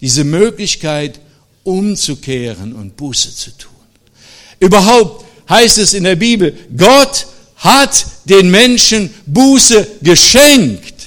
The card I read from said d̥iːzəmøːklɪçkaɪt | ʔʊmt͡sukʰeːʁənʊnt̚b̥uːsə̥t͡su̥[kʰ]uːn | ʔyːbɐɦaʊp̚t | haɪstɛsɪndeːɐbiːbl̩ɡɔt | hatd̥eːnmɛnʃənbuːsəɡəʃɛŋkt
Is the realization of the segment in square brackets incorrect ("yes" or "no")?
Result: yes